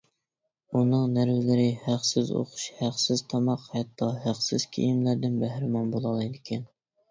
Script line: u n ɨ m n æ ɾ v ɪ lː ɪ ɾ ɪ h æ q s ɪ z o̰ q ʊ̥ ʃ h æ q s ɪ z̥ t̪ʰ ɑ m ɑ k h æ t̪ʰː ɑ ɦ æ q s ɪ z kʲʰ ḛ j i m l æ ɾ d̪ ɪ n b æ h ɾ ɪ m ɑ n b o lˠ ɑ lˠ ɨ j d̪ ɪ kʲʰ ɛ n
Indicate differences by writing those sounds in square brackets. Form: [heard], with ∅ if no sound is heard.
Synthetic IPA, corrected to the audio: u n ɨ [ŋ] n æ ɾ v ɪ [l] ɪ ɾ ɪ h æ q s ɪ z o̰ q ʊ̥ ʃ h æ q s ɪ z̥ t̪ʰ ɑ m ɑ [q] h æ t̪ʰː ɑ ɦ æ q s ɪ z kʲʰ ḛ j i m l æ ɾ d̪ ɪ n b æ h ɾ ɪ m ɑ n b o lˠ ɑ lˠ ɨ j d̪ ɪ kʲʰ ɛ n

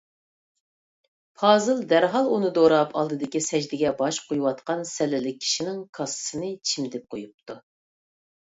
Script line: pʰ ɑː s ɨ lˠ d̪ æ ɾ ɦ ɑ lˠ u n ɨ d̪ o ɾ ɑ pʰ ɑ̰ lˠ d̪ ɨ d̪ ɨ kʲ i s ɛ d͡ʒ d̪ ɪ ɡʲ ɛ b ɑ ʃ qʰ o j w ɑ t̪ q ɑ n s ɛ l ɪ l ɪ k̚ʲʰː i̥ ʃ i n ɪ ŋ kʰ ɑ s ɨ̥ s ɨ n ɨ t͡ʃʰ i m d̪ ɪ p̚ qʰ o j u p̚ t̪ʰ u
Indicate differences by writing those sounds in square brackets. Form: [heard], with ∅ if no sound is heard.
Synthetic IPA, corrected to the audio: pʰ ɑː [z] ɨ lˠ d̪ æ ɾ ɦ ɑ lˠ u n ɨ d̪ o ɾ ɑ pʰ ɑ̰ lˠ d̪ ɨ d̪ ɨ kʲ i s ɛ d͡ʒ d̪ ɪ ɡʲ ɛ b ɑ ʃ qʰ o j w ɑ t̪ q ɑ n s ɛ l ɪ l ɪ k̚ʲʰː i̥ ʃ i n ɪ ŋ kʰ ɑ s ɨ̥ s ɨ n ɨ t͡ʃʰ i m d̪ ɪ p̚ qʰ o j u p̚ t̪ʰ u

